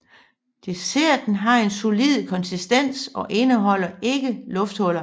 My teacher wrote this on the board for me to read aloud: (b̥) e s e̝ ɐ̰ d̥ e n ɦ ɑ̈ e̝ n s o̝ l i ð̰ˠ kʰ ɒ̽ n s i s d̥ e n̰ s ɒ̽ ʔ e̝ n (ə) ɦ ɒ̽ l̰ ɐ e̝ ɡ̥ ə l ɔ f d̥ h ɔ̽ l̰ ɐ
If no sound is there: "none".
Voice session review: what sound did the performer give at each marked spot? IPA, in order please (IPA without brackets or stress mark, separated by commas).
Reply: d̥, ə